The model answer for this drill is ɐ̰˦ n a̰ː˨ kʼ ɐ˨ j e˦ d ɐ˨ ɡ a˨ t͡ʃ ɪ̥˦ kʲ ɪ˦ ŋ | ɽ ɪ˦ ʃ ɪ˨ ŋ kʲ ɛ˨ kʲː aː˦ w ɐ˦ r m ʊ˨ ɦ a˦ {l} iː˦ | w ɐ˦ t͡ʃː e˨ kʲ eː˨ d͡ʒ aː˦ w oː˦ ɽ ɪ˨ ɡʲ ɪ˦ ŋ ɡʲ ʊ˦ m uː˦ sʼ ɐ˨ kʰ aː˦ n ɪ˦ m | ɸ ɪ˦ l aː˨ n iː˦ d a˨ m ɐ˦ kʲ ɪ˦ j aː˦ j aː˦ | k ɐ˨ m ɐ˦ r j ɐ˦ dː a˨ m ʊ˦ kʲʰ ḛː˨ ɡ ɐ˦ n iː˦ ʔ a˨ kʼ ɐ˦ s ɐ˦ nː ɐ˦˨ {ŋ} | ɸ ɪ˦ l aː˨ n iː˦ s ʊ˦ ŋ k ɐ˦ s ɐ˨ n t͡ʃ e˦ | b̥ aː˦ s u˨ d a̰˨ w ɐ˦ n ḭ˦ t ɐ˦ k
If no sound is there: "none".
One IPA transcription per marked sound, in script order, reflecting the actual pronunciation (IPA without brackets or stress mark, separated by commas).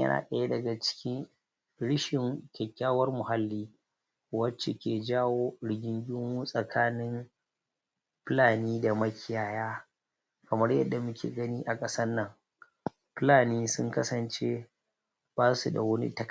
lː, ŋ